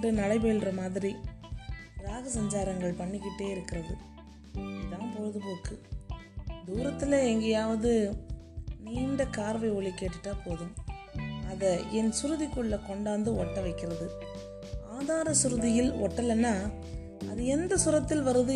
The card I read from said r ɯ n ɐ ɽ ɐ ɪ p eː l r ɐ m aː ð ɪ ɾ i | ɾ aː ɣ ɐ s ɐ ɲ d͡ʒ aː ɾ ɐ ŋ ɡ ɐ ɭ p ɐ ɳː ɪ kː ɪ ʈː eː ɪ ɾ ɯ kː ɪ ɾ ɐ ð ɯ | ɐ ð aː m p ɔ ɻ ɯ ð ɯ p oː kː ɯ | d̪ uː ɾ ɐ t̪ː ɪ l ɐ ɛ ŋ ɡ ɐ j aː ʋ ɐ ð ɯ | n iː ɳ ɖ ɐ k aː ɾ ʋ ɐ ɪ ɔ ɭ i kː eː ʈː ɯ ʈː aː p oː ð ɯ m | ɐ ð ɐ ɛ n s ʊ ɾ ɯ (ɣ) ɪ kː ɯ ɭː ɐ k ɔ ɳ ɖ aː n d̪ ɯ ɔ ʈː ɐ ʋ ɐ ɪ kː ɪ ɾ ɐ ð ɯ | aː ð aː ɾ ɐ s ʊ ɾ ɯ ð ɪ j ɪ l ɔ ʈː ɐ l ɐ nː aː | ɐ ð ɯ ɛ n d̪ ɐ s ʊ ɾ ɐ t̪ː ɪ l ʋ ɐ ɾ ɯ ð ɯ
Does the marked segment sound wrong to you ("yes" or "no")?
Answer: yes